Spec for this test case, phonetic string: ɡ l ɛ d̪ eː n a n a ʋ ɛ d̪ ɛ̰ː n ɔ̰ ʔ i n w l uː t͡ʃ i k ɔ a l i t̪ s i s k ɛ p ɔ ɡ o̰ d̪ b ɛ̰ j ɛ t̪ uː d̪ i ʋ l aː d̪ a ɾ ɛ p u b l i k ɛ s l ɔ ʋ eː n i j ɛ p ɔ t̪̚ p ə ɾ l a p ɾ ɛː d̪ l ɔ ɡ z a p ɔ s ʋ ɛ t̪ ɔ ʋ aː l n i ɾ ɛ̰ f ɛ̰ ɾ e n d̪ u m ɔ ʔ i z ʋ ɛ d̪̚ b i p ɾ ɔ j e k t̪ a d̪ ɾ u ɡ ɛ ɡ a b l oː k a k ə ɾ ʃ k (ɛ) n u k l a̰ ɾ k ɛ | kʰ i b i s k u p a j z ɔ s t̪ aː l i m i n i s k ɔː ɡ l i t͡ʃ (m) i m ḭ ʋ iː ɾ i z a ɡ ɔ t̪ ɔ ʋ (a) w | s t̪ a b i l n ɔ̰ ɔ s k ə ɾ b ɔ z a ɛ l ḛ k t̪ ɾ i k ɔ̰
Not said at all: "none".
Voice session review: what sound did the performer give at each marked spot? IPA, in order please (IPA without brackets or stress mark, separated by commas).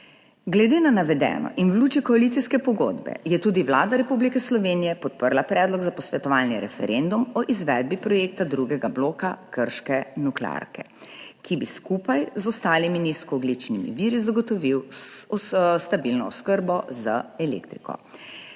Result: ɛ, n, i